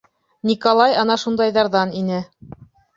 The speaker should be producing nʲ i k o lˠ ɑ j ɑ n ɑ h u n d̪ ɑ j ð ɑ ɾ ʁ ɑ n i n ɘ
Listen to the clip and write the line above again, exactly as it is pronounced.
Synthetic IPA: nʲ i k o lˠ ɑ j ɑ n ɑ ʃ u n d̪ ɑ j ð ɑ ɾ ð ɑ n i n ɘ